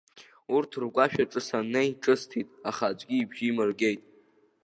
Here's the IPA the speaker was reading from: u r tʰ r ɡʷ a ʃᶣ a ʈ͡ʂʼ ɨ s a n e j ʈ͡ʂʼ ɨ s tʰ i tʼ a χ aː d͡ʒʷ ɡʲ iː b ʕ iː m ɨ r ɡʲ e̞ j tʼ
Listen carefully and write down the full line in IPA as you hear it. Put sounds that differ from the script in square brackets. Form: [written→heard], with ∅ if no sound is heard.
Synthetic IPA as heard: u r tʰ r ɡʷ a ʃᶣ a ʈ͡ʂʼ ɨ s a n e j ʈ͡ʂʼ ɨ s tʰ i tʼ a χ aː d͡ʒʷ ɡʲ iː b [ʕ→ʒ] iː m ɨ r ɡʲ e̞ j tʼ